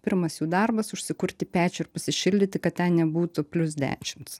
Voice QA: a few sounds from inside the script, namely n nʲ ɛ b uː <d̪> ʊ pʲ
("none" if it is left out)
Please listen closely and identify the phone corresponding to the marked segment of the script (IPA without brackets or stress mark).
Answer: t̪